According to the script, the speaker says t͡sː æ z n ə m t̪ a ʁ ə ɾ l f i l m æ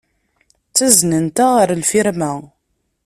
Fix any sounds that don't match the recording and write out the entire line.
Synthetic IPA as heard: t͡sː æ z n ə n t̪ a ʁ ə ɾ l f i ɾ m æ